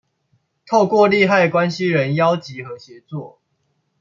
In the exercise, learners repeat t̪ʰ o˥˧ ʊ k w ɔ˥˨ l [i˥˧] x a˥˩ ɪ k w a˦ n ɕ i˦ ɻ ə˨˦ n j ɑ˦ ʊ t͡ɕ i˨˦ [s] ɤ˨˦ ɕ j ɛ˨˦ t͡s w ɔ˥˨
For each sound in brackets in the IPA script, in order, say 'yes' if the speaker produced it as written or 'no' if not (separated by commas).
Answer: yes, no